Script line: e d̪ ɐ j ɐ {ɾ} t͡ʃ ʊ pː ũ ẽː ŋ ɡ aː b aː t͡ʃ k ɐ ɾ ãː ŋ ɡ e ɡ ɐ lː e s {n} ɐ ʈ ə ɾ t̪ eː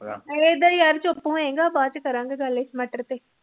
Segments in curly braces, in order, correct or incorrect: correct, incorrect: m

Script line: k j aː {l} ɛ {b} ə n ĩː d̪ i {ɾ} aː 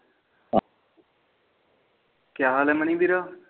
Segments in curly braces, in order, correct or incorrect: correct, incorrect: m, correct

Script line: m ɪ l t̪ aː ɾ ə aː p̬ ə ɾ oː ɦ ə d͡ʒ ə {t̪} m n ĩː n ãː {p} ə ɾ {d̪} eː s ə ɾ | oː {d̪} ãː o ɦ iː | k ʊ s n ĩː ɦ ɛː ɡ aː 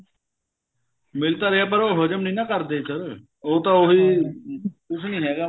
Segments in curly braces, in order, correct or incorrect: incorrect: none, incorrect: k, correct, incorrect: t̪

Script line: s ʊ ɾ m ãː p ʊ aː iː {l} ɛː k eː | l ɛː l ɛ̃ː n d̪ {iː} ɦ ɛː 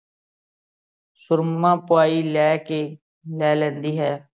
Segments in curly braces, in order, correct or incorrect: correct, correct

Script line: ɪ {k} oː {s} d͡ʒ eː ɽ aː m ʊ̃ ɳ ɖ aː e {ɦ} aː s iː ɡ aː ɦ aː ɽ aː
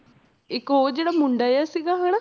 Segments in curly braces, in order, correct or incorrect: correct, incorrect: none, incorrect: none

